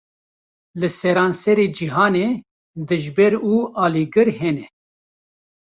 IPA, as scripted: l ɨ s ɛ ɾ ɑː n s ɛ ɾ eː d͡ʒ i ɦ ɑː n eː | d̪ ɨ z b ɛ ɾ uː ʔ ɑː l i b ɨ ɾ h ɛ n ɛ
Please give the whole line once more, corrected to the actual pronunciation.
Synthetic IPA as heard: l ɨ s ɛ ɾ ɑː n s ɛ ɾ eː d͡ʒ i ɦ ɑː n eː | d̪ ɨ ʒ b ɛ ɾ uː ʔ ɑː l i ɡ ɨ ɾ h ɛ n ɛ